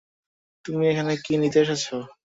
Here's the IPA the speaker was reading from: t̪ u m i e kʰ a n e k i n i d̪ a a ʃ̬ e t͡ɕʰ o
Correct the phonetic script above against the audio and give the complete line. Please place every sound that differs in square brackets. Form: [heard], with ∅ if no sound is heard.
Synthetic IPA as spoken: t̪ u m i e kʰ a n e k i n i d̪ [e] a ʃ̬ [a] t͡ɕʰ o